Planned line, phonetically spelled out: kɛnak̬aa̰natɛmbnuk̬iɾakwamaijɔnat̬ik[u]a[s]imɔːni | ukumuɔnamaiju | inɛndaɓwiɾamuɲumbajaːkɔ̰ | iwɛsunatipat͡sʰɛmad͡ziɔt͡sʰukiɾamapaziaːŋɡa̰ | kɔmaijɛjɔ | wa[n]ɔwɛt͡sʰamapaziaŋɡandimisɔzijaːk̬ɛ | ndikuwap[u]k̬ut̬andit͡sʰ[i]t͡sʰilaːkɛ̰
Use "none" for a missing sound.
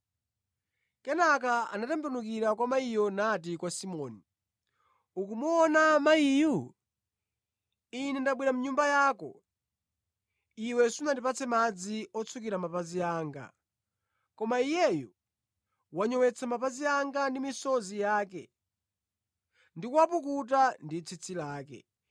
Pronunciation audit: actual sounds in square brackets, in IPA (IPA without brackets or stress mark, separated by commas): w, s, ɲ, u, i